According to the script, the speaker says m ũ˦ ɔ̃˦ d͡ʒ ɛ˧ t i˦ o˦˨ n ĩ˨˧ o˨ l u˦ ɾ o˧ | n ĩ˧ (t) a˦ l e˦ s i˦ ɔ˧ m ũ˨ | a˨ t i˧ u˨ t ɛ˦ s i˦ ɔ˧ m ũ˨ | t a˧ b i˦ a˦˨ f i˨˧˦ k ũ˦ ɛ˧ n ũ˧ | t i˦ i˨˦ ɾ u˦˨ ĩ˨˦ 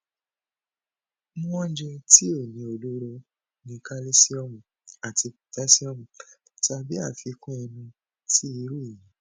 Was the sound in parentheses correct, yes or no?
no